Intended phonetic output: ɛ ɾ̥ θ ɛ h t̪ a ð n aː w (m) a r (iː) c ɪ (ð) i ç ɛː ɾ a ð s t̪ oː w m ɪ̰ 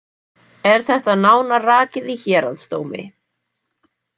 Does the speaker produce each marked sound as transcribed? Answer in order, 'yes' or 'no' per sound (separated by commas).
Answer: no, no, yes